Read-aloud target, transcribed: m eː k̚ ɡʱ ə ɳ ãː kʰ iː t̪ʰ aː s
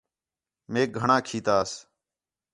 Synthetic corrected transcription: m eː k̚ ɡʱ ə ɳ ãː kʰ iː t̪ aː s